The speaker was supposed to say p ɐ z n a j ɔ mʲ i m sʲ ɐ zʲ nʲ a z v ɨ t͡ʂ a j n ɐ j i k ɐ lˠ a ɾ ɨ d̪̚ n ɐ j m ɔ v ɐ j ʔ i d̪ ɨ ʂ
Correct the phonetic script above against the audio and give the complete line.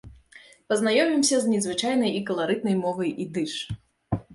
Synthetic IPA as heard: p ɐ z n a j ɔ mʲ i m sʲ ɐ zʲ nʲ ɛ z v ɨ t͡ʂ a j n ɐ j i k ɐ lˠ a ɾ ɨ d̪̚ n ɐ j m ɔ v ɐ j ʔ i d̪ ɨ ʂ